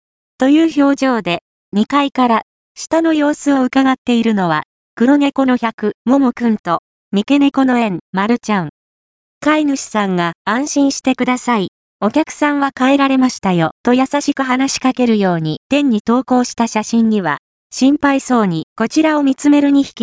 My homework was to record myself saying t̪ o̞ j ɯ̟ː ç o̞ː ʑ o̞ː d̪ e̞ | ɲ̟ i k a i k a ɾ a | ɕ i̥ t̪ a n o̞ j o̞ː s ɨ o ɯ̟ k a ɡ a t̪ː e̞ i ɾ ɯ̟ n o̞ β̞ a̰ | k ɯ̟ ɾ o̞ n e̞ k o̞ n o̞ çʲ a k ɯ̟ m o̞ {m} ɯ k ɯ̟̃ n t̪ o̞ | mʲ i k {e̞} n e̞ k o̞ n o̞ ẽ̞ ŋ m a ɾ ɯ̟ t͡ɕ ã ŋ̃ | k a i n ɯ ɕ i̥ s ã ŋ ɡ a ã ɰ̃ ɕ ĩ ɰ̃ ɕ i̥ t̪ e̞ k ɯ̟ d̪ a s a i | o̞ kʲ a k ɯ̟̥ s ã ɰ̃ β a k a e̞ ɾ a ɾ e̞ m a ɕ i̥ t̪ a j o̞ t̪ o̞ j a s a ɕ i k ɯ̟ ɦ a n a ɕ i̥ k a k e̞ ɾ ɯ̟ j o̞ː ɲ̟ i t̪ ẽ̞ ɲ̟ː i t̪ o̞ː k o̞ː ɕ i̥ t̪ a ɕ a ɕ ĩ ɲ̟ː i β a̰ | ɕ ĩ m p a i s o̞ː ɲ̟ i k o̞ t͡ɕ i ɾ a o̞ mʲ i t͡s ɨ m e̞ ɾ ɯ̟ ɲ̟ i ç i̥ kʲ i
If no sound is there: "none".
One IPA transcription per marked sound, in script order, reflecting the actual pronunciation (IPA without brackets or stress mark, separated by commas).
m, e̞